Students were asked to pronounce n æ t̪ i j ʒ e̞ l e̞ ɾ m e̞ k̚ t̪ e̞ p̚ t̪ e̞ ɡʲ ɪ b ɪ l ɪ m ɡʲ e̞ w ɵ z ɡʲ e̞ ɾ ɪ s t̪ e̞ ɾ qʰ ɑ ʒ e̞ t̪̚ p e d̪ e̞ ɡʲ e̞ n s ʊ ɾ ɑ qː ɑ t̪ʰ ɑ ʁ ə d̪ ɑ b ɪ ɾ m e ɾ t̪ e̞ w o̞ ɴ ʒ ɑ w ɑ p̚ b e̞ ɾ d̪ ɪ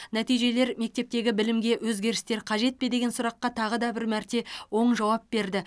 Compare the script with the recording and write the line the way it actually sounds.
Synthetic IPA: n æ t̪ i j ʒ e̞ l e̞ ɾ m e̞ k̚ t̪ e̞ p̚ t̪ e̞ ɡʲ ɪ b ɪ l ɪ m ɡʲ e̞ w ɵ z ɡʲ e̞ ɾ ɪ s t̪ e̞ ɾ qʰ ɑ ʒ e̞ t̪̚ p e d̪ e̞ ɡʲ e̞ n s ʊ ɾ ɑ qː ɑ t̪ʰ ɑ ʁ ə d̪ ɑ b ɪ ɾ m æ ɾ t̪ e̞ w o̞ ɴ ʒ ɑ w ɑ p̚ b e̞ ɾ d̪ ɪ